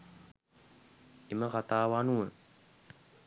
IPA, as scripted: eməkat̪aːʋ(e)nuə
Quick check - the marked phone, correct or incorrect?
incorrect: a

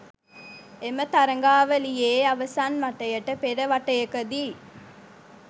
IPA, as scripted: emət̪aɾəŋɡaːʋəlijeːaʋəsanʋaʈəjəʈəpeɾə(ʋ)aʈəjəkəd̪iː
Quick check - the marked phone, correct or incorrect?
correct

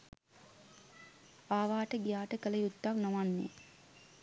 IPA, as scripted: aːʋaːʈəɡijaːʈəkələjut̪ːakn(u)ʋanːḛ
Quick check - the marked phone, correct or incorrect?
incorrect: o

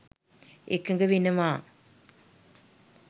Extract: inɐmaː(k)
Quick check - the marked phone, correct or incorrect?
incorrect: none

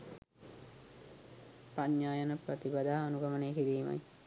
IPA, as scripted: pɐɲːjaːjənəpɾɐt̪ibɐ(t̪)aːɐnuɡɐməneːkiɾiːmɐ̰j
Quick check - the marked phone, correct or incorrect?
incorrect: d̪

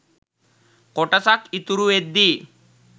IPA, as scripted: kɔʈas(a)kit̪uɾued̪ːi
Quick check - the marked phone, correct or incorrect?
correct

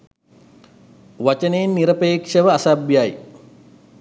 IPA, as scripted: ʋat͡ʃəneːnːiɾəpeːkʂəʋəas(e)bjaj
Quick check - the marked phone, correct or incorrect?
incorrect: a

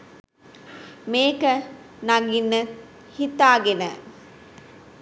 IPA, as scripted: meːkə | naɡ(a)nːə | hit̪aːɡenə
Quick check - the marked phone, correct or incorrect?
incorrect: i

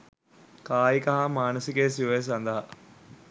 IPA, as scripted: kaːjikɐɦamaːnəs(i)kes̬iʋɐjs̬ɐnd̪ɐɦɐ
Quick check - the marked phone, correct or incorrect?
correct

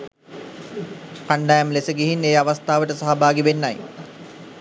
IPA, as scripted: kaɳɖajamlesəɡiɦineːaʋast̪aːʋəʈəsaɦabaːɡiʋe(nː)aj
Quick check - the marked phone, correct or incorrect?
correct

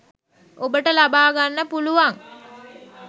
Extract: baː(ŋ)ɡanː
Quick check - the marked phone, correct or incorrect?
incorrect: none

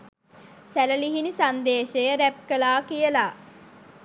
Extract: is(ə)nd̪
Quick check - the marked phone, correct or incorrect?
incorrect: a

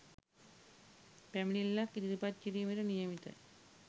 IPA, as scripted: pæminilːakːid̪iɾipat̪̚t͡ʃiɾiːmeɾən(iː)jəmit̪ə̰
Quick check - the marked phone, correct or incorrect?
incorrect: i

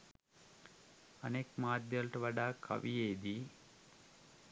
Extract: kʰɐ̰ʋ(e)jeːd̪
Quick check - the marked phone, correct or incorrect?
incorrect: i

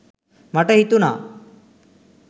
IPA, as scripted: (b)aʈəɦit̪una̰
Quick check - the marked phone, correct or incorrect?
incorrect: m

